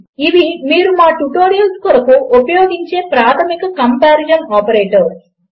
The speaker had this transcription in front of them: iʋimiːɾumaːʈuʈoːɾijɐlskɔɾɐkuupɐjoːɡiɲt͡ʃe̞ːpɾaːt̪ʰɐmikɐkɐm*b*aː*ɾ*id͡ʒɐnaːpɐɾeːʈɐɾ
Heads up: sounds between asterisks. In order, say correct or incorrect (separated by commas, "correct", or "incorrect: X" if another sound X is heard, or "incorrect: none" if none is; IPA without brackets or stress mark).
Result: incorrect: p, correct